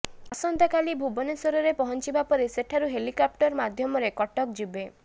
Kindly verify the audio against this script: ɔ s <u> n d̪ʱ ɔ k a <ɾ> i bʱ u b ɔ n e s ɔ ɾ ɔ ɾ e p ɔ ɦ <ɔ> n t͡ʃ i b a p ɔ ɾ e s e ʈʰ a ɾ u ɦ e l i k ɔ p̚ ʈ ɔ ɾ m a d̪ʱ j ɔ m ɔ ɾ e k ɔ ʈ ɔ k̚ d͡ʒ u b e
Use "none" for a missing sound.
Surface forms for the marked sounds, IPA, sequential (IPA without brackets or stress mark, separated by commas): ɔ, l, ɔ